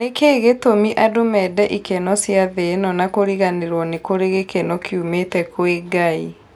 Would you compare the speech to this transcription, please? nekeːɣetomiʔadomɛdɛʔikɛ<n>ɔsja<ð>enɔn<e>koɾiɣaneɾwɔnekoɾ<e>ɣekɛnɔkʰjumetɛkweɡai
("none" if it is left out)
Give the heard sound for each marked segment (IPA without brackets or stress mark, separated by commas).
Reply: n, ð, a, e